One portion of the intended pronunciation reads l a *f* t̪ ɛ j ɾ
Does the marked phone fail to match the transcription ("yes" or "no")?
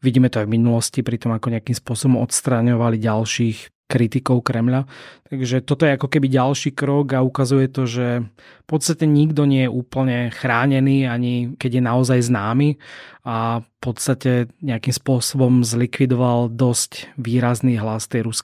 yes